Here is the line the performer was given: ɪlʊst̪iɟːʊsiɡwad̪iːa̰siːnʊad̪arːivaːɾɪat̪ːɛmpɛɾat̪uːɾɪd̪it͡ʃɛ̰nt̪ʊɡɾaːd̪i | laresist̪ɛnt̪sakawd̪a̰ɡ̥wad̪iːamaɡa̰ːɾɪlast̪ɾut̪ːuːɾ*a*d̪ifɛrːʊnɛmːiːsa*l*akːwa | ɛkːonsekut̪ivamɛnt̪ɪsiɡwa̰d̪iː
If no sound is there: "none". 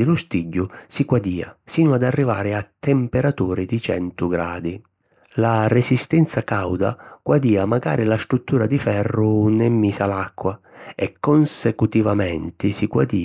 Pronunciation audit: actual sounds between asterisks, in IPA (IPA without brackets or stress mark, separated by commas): a, l